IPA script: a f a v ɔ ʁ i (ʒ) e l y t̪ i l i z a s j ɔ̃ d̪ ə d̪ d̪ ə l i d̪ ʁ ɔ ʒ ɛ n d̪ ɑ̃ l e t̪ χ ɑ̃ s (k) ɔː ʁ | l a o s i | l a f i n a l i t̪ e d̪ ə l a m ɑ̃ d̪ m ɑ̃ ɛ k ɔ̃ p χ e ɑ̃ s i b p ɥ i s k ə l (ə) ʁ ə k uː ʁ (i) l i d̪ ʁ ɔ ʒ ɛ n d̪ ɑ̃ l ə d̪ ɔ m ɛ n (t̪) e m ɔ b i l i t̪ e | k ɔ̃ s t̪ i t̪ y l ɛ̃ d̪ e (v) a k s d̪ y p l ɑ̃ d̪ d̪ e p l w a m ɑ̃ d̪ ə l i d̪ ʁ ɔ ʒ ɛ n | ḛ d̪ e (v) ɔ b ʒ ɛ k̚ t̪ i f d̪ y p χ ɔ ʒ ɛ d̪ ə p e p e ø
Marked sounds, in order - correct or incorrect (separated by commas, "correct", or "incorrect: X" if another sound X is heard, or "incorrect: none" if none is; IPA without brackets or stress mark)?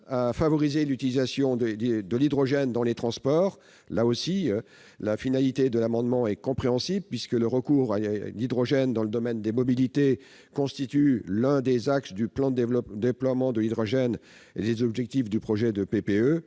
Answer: incorrect: z, incorrect: p, correct, incorrect: a, incorrect: d̪, incorrect: z, incorrect: z